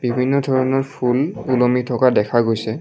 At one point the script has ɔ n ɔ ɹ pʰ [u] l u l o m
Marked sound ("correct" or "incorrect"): correct